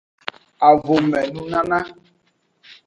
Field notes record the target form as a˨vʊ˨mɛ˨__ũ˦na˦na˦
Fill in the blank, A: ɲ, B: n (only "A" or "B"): B